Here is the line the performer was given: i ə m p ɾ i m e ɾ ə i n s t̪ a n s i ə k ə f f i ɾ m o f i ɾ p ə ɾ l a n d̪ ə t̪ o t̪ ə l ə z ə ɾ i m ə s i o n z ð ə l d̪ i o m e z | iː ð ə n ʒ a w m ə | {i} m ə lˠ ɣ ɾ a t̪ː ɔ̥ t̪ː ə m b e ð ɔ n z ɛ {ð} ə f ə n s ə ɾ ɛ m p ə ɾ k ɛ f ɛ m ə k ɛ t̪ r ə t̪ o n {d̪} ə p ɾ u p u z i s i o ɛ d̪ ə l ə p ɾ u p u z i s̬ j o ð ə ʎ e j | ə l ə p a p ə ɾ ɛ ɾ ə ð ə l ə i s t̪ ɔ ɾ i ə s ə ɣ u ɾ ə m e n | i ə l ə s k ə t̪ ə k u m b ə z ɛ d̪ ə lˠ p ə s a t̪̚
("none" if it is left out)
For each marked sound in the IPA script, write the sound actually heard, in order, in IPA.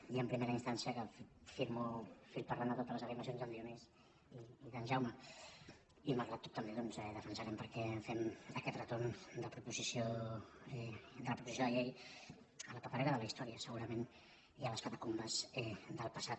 i, ð, d̪

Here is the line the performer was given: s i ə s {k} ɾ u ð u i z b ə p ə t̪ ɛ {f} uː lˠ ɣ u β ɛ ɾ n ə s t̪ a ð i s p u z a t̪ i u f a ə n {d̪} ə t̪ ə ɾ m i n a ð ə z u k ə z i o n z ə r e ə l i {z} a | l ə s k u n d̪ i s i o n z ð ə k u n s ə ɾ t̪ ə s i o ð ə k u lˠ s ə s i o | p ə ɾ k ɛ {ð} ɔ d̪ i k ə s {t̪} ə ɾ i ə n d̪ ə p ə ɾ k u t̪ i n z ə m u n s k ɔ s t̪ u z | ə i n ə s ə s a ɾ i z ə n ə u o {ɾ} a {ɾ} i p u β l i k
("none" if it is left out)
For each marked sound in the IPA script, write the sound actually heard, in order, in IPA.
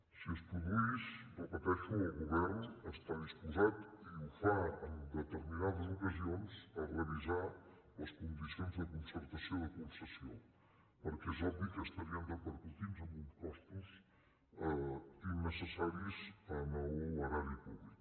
p, ʃ, d̪, z, z, t̪, ɾ, ɾ

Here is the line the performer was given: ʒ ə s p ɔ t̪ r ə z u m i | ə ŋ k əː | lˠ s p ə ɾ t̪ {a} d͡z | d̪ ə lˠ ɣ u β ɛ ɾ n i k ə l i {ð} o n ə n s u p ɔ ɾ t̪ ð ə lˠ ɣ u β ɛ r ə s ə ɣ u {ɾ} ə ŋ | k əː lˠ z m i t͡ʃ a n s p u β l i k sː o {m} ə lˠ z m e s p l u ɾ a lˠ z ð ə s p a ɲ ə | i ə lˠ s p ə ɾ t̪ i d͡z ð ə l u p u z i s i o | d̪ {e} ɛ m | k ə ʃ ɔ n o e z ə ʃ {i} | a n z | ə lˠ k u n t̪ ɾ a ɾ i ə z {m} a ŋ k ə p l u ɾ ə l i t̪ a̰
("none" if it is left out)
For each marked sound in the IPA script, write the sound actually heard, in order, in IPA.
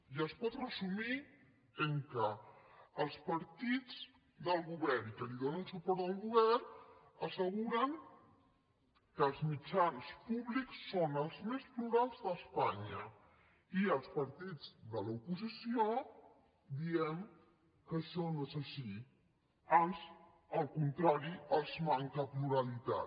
i, ð, ɾ, n, i, i, m

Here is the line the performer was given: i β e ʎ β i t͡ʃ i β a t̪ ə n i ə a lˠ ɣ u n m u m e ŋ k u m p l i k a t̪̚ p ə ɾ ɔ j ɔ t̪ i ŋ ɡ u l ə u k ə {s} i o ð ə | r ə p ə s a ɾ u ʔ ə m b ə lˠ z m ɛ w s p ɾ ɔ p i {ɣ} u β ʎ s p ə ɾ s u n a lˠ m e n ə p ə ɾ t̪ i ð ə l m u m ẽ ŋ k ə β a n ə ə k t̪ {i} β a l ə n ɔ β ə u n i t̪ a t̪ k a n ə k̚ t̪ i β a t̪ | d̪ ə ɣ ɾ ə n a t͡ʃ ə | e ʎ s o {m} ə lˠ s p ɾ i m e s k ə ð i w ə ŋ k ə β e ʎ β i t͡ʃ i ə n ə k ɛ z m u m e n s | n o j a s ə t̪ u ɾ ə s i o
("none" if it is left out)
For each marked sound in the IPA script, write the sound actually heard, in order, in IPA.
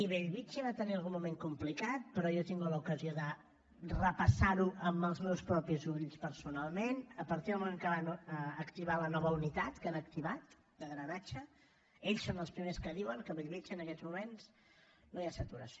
z, z, i, n

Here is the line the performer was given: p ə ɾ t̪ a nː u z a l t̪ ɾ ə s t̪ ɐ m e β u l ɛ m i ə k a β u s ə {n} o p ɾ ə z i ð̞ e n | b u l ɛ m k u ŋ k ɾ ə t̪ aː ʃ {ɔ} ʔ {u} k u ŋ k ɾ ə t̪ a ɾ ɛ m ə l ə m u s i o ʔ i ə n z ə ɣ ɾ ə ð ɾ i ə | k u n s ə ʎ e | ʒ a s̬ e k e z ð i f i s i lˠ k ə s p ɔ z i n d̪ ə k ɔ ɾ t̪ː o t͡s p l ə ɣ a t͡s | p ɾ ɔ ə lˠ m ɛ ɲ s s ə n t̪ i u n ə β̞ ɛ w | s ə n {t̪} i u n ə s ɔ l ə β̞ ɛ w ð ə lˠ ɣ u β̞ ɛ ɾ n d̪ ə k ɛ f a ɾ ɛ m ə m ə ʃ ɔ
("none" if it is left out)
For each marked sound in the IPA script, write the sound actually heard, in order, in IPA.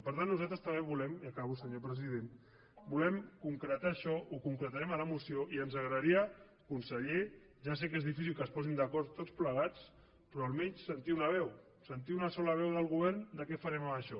ɲ, ɔ, u, t̪

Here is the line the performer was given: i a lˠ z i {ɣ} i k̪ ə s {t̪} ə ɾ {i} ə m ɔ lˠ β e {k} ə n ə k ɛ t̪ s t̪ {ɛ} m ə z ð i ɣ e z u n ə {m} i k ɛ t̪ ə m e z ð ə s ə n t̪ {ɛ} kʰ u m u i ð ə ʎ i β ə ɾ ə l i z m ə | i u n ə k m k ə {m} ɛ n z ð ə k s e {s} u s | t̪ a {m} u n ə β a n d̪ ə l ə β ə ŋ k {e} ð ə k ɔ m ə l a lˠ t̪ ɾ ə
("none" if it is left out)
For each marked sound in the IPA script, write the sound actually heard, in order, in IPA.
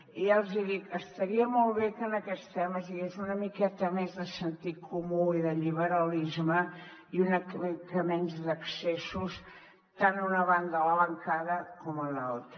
ð, t̪, i, k, ɛ, m, i, m, s, n, a

